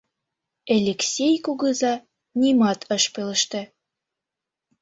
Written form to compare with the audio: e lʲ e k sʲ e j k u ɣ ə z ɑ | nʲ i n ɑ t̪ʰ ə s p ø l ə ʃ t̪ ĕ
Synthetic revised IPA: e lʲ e k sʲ e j k u ɣ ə z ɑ | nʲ i m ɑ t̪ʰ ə ʃ p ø l ə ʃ t̪ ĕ